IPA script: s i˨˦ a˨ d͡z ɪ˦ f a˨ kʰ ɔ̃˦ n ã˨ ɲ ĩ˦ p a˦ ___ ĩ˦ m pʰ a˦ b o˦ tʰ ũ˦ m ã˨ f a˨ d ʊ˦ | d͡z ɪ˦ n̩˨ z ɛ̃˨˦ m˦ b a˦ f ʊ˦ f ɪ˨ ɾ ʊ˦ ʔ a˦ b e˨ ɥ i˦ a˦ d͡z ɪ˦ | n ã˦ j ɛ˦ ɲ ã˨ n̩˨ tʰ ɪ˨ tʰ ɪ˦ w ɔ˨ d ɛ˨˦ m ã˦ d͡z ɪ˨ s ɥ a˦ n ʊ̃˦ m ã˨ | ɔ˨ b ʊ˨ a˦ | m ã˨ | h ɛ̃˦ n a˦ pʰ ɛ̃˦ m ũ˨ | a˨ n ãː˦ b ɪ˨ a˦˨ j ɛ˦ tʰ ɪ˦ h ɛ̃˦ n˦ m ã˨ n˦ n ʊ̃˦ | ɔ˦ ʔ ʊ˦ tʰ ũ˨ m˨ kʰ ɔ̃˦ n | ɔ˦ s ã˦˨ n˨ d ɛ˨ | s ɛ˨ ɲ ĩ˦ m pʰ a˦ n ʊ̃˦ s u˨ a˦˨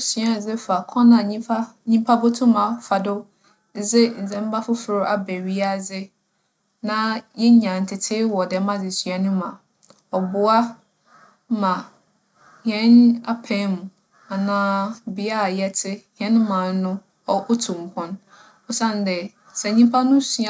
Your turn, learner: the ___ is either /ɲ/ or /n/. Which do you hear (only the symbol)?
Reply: ɲ